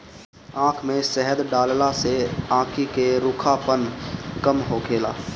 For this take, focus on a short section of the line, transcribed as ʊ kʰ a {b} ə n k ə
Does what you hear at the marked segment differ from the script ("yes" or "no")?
yes